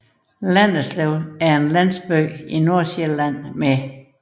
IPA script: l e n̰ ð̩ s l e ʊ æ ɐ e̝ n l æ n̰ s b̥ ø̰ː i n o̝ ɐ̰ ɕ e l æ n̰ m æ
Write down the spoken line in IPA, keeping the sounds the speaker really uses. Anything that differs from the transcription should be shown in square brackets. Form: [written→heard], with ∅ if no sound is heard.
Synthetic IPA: l [e→æ] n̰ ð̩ s l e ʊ æ ɐ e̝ n l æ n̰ s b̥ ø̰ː i n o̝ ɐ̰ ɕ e l æ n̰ m [æ→e]